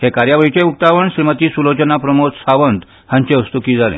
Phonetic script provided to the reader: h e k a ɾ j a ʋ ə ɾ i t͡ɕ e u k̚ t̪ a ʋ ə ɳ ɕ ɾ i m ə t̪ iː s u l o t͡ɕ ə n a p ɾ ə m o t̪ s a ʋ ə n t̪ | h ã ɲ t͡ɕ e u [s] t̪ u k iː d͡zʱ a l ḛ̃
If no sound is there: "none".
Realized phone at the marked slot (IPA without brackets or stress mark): s